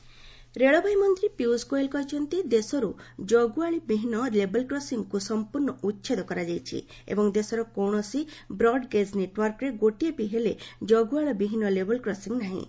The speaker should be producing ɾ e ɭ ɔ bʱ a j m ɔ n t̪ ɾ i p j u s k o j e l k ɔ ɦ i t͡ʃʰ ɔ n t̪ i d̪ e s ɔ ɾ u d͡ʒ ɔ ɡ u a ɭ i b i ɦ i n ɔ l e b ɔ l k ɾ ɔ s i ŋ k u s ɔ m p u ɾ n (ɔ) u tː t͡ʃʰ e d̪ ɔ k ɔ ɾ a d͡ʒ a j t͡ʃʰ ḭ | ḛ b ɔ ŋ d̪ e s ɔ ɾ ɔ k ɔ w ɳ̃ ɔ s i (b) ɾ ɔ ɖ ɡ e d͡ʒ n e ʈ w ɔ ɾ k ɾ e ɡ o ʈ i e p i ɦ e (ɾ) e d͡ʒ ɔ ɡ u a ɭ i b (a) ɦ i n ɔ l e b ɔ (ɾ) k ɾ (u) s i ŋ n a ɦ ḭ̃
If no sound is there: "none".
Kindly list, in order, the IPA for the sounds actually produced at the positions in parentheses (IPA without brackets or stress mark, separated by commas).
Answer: ɔ, b, l, i, l, ɔ